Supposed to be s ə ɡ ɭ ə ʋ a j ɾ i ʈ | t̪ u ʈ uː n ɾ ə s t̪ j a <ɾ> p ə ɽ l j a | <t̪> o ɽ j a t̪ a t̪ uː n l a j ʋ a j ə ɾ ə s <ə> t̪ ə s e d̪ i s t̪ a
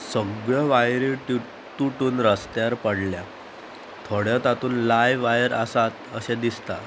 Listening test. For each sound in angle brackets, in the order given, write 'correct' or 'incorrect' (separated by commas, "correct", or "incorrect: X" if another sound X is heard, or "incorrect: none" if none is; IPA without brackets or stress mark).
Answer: correct, incorrect: t̪ʰ, incorrect: a